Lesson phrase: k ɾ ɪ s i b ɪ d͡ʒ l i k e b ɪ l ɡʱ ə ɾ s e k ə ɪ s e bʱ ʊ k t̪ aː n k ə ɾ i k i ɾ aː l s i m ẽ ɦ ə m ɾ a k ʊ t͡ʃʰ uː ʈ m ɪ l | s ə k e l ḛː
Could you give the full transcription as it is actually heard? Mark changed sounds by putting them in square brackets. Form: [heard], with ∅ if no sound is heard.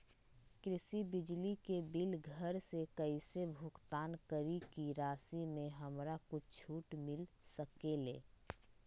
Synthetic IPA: k ɾ ɪ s i b ɪ d͡ʒ l i k e b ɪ l ɡʱ ə ɾ s e k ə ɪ s e bʱ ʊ k t̪ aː n k ə ɾ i k i ɾ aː [∅] s i m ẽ ɦ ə m ɾ a k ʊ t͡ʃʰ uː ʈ m ɪ l | s ə k e l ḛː